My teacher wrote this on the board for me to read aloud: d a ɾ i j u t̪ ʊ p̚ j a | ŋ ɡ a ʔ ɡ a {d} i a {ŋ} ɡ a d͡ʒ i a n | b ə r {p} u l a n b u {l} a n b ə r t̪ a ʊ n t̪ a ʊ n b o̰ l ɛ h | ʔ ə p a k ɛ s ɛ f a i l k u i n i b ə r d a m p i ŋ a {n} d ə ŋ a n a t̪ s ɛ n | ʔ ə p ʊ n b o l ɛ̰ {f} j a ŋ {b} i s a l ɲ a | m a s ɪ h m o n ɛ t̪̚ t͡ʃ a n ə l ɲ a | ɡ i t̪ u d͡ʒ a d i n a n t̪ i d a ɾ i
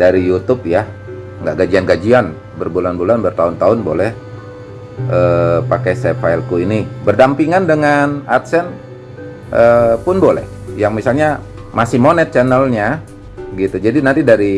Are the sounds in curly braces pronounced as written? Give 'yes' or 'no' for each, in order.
no, no, no, yes, yes, no, no

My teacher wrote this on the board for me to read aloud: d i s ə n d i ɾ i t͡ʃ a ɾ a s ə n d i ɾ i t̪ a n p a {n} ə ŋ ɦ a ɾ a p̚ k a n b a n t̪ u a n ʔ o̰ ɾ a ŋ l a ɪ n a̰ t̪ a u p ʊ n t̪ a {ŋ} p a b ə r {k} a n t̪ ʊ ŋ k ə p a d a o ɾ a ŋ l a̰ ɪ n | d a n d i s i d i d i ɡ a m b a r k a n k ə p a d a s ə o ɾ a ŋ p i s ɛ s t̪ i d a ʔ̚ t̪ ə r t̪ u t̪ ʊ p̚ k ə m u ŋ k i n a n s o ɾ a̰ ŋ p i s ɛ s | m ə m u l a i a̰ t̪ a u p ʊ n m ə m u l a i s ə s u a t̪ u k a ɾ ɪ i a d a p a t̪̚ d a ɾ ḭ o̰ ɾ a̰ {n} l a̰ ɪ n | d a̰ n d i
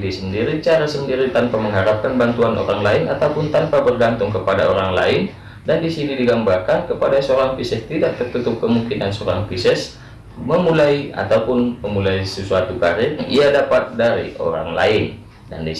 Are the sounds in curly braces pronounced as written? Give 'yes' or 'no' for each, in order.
no, no, no, no

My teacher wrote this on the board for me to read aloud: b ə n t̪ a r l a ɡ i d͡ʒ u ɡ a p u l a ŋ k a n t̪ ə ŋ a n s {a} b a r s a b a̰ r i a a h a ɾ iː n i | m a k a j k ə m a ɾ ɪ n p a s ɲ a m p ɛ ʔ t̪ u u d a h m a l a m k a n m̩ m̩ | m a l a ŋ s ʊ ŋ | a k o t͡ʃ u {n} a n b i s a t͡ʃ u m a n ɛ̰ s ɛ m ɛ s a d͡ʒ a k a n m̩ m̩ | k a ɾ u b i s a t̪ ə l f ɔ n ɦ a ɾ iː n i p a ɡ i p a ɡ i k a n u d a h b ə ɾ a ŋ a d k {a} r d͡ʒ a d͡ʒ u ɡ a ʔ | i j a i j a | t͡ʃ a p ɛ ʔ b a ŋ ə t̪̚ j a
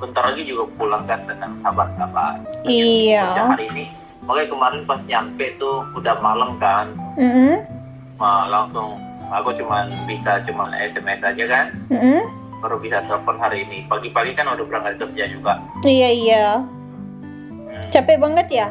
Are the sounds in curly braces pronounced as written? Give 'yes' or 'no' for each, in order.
yes, no, no

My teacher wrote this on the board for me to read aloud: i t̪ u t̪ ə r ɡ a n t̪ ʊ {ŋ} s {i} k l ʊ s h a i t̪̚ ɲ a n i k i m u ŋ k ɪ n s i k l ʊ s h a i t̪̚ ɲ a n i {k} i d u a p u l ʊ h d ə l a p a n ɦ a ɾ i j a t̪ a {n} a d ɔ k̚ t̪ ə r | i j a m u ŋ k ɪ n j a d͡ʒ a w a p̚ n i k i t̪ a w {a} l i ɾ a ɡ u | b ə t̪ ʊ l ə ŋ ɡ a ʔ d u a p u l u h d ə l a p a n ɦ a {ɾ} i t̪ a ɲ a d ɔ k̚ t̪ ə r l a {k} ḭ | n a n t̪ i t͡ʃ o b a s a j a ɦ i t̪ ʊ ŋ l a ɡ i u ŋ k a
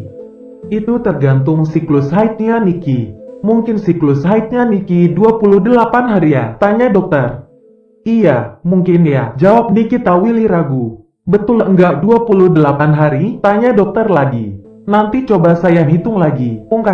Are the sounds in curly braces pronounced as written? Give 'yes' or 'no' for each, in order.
yes, yes, yes, no, no, yes, no

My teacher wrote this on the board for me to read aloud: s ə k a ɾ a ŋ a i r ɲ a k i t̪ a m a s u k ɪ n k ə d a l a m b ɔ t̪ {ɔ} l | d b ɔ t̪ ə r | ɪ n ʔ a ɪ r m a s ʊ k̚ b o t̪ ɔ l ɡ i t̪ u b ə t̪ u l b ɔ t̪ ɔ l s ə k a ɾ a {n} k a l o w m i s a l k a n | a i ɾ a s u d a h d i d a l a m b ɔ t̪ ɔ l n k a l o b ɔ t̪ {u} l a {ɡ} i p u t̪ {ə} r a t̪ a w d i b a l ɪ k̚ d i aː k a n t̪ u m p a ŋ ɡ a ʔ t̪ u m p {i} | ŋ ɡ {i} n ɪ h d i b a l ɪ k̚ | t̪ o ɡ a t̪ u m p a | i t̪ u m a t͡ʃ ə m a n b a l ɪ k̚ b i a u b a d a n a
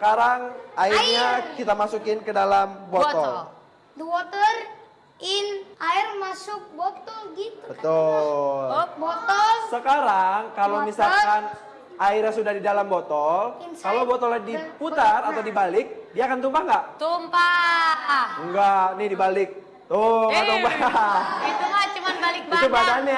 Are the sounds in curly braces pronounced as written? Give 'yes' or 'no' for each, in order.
yes, no, no, no, no, no, no

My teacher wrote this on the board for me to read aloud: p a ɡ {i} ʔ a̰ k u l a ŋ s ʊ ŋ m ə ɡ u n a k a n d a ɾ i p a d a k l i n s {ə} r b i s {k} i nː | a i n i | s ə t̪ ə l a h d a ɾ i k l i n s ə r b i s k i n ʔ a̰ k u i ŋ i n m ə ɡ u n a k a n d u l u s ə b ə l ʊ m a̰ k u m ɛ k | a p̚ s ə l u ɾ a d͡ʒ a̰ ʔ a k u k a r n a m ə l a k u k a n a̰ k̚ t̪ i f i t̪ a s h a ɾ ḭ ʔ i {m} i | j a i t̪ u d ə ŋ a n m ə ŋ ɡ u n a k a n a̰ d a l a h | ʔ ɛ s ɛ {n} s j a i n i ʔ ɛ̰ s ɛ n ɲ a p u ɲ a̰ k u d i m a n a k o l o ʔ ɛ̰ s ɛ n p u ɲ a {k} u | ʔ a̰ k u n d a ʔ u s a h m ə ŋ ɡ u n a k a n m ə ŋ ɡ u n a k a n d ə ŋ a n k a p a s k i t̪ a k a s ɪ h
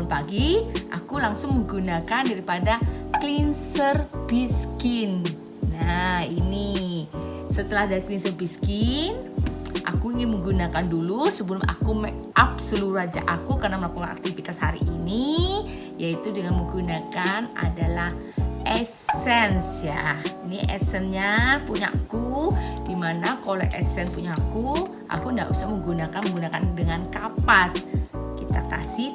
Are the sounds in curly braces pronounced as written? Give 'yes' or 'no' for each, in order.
yes, yes, yes, no, yes, yes

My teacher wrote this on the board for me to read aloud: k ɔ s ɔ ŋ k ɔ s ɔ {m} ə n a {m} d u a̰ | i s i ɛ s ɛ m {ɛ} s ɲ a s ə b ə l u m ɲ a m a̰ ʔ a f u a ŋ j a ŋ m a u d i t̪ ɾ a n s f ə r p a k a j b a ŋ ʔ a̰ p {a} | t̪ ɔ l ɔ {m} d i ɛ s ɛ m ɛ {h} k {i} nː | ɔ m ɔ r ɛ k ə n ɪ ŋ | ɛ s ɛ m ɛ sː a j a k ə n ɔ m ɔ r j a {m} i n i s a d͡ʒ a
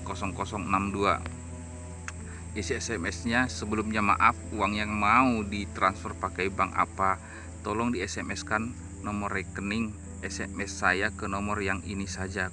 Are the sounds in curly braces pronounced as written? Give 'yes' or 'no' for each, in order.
no, yes, yes, yes, no, no, no, no

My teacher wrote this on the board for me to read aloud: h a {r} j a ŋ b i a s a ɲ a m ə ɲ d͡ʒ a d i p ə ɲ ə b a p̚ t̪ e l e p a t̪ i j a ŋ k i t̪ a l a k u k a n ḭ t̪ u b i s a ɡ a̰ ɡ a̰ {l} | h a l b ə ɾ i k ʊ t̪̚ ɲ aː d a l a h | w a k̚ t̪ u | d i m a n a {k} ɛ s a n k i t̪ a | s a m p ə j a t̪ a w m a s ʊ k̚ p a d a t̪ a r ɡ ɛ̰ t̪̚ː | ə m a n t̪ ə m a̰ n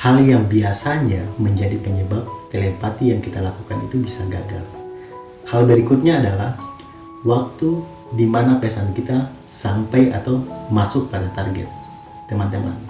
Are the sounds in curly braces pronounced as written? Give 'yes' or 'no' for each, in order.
no, yes, no

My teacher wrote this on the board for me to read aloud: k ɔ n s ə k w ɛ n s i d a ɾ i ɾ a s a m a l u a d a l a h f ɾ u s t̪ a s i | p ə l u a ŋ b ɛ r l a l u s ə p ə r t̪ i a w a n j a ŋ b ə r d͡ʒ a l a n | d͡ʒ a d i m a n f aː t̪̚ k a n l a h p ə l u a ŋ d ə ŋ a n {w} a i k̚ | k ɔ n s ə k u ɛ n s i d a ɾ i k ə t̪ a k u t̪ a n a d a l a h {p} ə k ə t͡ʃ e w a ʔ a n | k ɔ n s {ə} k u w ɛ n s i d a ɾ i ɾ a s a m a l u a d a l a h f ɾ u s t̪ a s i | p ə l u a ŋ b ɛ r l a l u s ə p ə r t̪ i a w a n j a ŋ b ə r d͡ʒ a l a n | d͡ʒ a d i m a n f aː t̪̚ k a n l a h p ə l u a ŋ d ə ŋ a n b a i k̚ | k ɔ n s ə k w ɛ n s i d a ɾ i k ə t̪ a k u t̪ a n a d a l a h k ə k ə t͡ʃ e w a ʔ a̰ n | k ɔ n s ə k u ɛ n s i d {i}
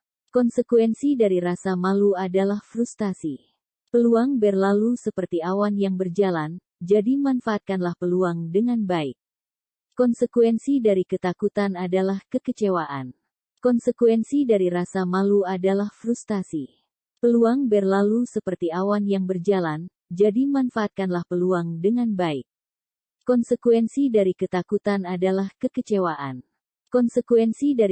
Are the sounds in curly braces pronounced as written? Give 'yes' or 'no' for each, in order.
no, no, yes, no

